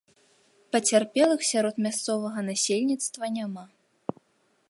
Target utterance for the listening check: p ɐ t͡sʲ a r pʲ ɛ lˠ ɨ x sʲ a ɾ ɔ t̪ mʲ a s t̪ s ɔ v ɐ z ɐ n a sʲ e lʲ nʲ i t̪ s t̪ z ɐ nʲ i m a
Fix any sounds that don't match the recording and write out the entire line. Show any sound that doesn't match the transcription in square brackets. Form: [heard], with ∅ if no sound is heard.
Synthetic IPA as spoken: p ɐ t͡sʲ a r pʲ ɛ lˠ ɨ x sʲ a ɾ ɔ t̪ mʲ a s t̪ s ɔ v ɐ [ɣ] ɐ n a sʲ e lʲ nʲ i t̪ s t̪ [v] ɐ nʲ [a] m a